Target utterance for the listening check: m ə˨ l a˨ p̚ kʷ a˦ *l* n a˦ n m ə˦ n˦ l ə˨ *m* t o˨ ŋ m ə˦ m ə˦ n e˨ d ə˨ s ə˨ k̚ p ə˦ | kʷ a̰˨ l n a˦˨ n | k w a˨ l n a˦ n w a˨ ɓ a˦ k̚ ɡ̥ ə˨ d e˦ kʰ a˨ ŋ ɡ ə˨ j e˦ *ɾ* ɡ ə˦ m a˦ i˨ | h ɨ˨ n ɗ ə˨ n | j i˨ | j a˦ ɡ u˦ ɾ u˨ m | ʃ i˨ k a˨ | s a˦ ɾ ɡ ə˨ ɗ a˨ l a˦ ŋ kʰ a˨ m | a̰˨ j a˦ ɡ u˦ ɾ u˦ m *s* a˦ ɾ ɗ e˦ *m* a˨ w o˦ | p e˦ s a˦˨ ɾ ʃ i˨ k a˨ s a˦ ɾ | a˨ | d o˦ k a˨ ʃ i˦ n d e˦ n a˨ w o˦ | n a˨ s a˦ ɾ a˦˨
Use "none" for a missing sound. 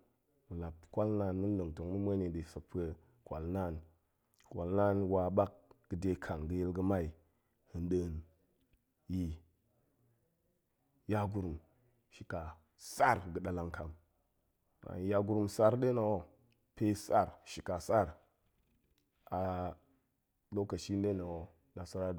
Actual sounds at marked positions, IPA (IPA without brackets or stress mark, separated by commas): l, ŋ, l, s, n